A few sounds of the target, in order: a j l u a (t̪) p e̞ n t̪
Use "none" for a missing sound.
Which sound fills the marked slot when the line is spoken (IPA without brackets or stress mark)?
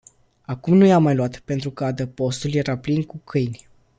t̪